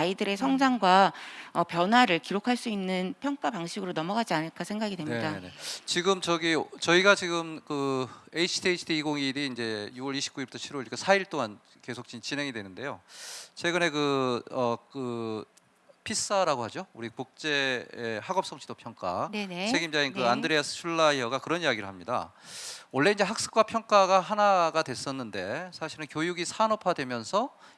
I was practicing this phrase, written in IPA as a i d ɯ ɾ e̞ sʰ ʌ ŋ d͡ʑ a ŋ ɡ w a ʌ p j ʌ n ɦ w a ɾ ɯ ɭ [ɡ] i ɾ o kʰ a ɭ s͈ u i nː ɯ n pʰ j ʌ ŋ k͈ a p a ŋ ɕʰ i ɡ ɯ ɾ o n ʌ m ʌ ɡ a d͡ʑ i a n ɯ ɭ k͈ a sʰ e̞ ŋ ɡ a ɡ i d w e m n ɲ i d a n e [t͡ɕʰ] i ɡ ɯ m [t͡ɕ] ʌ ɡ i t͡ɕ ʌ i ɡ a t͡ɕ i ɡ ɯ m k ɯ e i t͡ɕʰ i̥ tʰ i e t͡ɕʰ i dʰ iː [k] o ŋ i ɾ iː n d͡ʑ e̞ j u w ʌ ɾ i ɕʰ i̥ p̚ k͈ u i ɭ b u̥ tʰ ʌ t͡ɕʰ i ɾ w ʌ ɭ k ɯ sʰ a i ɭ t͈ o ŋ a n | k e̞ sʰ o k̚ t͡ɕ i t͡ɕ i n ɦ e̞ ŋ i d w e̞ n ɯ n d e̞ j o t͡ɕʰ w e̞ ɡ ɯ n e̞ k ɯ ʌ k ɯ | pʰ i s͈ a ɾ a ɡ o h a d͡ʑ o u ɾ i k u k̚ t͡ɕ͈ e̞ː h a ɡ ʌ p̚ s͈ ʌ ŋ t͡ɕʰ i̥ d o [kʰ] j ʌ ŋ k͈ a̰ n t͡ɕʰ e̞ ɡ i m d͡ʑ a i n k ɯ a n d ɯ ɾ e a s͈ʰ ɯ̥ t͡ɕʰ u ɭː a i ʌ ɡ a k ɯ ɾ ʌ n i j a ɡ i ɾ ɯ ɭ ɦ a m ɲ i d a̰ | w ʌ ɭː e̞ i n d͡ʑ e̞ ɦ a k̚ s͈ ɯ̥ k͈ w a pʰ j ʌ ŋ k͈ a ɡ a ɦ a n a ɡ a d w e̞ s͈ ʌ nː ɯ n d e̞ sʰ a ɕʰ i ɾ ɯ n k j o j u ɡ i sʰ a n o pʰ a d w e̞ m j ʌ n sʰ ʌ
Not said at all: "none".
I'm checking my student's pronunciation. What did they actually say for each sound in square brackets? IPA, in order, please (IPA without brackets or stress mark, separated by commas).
k, t͡ɕ, t͡ɕ, ɡ, pʰ